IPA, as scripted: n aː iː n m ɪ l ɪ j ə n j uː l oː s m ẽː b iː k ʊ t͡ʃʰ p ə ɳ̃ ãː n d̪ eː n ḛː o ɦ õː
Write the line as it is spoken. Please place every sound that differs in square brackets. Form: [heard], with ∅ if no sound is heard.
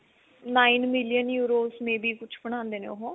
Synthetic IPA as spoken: n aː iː n m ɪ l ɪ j ə n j uː [ɾ] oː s m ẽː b iː k ʊ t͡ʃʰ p ə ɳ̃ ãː n d̪ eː n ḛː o ɦ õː